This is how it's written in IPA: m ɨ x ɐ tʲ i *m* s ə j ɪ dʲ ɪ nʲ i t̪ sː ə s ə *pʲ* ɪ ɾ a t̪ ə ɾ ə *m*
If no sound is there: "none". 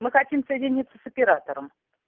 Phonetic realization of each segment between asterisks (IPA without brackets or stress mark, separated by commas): m, pʲ, m